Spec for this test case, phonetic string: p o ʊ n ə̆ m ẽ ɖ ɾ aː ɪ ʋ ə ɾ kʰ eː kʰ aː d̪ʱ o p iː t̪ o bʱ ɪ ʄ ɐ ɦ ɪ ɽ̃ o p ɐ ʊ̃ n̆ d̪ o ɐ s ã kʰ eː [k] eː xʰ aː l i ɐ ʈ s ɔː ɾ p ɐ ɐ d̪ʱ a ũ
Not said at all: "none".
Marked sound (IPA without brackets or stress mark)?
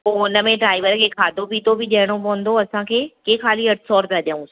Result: k